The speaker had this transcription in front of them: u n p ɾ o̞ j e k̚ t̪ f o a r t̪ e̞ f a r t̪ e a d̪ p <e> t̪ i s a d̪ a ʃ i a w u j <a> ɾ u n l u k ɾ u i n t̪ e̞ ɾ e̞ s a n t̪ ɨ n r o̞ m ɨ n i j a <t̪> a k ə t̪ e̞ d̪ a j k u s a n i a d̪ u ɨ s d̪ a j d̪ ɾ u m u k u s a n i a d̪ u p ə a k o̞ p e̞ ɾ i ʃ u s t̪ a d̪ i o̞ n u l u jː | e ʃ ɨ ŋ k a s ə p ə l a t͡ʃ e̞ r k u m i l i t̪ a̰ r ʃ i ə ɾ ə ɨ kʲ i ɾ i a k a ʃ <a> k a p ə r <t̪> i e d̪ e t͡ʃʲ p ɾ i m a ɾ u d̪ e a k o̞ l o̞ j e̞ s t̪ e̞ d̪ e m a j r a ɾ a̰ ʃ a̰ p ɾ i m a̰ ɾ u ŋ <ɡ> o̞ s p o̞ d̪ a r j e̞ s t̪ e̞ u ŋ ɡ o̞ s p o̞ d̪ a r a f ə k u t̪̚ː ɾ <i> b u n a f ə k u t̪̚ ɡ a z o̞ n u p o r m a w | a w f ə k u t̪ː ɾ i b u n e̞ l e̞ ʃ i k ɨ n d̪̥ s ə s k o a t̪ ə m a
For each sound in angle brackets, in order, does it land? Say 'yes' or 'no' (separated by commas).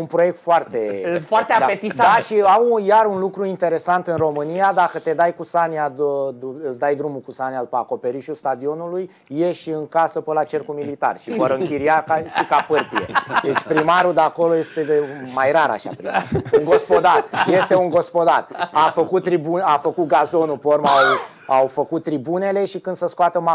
yes, yes, no, no, yes, yes, yes